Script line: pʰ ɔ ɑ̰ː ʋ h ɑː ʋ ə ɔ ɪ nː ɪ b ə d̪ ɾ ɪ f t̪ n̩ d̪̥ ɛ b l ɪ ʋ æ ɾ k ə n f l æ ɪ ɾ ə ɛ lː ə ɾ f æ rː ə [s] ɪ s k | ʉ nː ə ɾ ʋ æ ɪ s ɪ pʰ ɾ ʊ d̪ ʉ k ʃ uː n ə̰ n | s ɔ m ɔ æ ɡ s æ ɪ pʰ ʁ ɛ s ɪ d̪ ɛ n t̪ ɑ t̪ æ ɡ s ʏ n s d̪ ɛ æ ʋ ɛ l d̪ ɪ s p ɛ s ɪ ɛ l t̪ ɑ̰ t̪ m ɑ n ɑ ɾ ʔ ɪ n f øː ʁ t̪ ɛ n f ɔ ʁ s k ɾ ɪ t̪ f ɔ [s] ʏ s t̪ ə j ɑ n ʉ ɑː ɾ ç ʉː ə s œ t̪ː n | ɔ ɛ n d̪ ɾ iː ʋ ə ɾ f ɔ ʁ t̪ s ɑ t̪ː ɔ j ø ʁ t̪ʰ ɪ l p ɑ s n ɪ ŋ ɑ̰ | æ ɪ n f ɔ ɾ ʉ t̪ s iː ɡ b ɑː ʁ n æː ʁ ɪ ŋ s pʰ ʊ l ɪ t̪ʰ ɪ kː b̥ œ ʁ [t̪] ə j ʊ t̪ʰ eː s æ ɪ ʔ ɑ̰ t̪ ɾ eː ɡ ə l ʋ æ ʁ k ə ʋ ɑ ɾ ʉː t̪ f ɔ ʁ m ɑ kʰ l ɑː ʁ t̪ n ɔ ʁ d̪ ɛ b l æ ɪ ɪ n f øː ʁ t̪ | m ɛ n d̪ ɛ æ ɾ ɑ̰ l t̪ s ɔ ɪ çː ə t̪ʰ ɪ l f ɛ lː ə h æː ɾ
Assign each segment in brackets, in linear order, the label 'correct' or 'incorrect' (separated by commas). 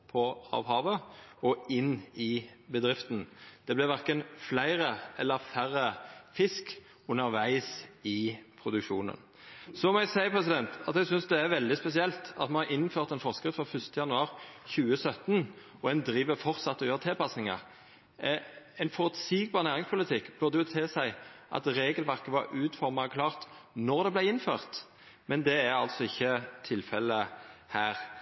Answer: incorrect, incorrect, incorrect